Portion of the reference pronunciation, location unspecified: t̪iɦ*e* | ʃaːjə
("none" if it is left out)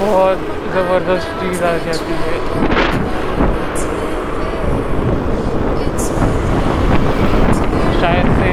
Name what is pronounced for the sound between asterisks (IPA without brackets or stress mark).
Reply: ɛ